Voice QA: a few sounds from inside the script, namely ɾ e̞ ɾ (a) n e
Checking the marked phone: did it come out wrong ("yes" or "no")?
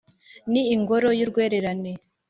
no